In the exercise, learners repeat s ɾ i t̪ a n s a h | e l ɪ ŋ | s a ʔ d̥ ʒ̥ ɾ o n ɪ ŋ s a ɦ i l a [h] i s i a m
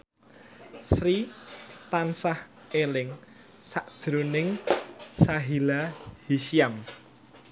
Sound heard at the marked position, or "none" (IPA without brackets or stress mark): h